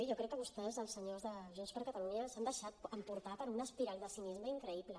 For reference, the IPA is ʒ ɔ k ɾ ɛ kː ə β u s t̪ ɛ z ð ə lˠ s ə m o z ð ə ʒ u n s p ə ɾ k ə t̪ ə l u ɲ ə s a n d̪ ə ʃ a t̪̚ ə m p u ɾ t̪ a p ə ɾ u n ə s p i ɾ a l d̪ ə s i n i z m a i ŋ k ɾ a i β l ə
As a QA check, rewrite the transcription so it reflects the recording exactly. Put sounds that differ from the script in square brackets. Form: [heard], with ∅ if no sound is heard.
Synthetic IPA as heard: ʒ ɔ k ɾ ɛ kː ə β u s t̪ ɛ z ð ə lˠ s ə [ɲ] o z ð ə ʒ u n s p ə ɾ k ə t̪ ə l u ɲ ə s a n d̪ ə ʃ a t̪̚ ə m p u ɾ t̪ a p ə ɾ u n ə s p i ɾ a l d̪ ə s i n i z m [ə] i ŋ k ɾ [ə] i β l ə